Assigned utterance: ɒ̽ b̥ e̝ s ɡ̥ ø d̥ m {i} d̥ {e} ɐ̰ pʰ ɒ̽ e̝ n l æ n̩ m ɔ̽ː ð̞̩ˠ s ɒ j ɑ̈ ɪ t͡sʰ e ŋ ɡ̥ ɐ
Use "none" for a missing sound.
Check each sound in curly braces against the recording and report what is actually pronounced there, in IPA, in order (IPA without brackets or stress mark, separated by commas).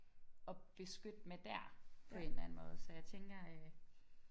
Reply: e, æ